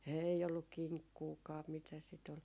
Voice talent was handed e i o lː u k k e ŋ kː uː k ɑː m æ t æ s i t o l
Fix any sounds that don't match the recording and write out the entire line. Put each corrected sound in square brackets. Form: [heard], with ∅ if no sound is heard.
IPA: e i o lː u k k [i] ŋ kː uː k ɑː m [i] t æ s i t o l